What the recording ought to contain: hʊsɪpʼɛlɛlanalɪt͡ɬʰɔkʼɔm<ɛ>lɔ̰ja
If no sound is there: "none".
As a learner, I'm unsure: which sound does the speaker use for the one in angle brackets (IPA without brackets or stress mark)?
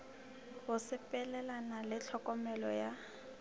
ɛ